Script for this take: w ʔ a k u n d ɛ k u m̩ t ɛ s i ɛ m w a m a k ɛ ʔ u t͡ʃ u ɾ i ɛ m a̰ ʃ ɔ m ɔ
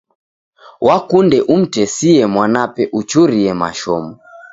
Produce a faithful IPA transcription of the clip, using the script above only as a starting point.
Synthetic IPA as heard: w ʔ a k u n d ɛ ʔ u m̩ t ɛ s i ɛ m w a n a p ɛ ʔ u t͡ʃ u ɾ i ɛ m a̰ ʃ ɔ m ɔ